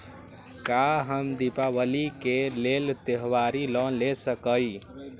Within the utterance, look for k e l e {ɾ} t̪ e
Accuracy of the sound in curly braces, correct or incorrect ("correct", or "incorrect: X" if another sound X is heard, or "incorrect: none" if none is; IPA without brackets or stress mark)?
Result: incorrect: l